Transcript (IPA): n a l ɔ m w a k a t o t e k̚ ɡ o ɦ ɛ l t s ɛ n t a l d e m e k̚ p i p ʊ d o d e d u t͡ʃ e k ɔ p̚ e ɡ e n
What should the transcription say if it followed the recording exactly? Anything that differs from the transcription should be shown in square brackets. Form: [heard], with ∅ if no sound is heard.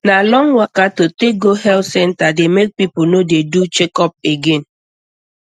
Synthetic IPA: n a l ɔ [ŋ] w a k a t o t e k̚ ɡ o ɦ ɛ l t s ɛ n t a [∅] d e m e k̚ p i p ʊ [n] o d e d u t͡ʃ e k ɔ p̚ e ɡ e n